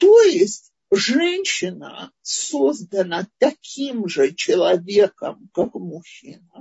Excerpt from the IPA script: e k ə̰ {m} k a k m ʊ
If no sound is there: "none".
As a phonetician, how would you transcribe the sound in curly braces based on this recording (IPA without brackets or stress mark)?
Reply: m